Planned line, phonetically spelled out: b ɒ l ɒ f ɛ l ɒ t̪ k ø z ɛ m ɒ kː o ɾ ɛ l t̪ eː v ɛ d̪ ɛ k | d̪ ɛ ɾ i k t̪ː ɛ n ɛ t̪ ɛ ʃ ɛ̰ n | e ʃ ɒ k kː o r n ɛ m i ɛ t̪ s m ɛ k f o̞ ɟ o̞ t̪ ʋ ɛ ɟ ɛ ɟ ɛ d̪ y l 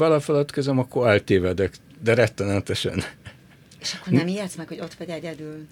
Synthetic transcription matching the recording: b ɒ l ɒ f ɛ l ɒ t̪ k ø z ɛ m ɒ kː o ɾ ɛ l t̪ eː v ɛ d̪ ɛ k | d̪ ɛ ɾ ɛ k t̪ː ɛ n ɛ t̪ ɛ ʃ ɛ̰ n | e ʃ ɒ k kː o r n ɛ m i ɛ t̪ s m ɛ k h o̞ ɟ o̞ t̪ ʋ ɛ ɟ ɛ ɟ ɛ d̪ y l